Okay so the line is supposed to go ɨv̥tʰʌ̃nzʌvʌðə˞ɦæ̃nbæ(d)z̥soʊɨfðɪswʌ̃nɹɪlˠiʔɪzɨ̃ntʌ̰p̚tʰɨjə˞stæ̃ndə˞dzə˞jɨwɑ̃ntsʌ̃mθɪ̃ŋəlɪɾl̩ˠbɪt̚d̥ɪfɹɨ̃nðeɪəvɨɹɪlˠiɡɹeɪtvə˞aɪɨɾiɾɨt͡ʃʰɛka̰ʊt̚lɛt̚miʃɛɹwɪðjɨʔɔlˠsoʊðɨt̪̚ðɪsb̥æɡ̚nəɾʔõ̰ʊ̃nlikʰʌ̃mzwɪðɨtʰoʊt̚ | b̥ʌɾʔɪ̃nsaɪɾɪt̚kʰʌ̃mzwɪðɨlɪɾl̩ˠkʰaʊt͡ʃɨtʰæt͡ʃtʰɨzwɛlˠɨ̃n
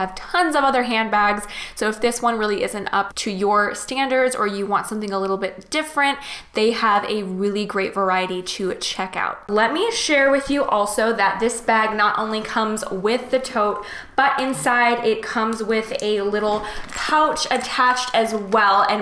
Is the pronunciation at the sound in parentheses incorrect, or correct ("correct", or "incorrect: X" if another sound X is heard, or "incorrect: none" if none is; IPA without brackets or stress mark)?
incorrect: ɡ